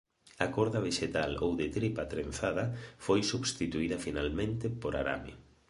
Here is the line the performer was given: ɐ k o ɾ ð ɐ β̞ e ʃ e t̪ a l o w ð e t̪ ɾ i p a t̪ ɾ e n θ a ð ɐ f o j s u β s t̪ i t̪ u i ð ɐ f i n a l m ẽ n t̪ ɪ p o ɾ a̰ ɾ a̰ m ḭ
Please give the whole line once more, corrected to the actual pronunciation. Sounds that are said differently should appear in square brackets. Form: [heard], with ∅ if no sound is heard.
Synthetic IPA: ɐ k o ɾ ð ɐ β̞ e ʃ e t̪ a l o w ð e t̪ ɾ i p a t̪ ɾ e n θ a ð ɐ f o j s u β s t̪ i t̪ u i ð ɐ f i n a l m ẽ n t̪ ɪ p o ɾ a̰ ɾ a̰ m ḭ